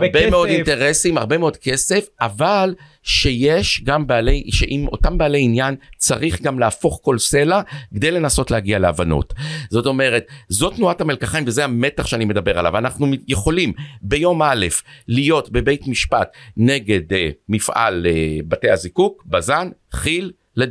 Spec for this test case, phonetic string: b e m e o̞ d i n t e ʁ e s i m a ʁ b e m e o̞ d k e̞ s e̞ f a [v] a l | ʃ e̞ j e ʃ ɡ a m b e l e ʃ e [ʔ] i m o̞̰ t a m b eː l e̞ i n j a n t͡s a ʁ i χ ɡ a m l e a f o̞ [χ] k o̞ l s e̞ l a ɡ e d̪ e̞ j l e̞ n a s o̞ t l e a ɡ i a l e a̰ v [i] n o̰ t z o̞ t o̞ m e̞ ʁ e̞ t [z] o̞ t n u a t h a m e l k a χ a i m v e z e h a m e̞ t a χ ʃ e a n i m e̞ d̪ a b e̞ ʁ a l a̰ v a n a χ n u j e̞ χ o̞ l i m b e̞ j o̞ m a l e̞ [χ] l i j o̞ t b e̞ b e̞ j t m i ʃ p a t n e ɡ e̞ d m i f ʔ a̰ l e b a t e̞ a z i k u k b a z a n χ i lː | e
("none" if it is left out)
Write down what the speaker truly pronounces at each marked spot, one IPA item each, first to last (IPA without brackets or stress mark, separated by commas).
v, ʔ, χ, a, z, f